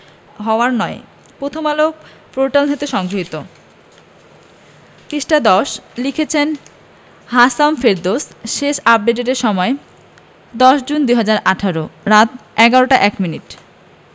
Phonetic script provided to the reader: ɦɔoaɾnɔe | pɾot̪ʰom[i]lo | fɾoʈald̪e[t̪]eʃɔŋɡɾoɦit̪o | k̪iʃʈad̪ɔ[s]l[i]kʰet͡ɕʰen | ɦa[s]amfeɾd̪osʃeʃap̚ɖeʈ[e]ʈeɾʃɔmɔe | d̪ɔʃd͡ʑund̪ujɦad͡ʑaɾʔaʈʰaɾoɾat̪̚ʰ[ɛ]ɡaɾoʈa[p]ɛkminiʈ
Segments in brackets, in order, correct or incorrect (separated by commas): incorrect, correct, incorrect, correct, correct, correct, correct, incorrect